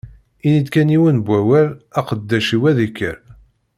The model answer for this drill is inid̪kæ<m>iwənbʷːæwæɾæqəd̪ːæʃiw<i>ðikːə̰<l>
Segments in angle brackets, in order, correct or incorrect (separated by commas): incorrect, incorrect, incorrect